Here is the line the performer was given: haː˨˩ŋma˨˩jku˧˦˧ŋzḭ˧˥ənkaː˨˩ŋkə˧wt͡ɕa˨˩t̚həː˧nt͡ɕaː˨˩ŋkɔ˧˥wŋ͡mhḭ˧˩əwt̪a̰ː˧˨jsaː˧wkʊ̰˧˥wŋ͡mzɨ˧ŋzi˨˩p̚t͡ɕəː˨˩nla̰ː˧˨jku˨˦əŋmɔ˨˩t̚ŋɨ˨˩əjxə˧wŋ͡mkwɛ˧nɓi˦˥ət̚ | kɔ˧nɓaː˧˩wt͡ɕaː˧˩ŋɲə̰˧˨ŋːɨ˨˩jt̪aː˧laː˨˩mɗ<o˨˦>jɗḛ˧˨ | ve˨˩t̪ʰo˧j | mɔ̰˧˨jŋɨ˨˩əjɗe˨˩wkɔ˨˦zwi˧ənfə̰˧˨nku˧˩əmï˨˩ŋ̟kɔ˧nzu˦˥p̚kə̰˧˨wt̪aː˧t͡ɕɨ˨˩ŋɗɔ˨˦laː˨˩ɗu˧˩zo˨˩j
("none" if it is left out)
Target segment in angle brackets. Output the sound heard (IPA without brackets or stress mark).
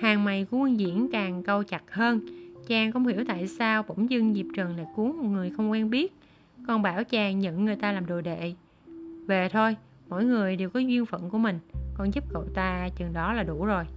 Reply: o˨˩